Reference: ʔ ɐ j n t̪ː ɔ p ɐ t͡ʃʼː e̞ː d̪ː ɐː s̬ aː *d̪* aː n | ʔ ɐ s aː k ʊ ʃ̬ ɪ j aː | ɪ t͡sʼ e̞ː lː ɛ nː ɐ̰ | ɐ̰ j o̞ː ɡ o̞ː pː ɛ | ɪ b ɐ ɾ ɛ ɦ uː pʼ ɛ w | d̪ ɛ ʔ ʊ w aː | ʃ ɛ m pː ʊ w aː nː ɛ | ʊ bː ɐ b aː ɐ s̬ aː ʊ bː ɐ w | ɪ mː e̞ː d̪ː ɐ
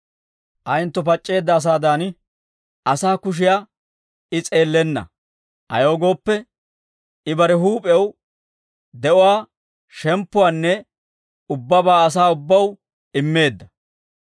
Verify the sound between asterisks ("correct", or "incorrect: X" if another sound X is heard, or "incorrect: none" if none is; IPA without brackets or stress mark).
correct